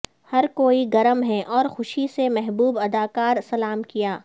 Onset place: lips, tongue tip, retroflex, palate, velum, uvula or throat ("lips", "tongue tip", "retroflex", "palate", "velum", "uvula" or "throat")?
throat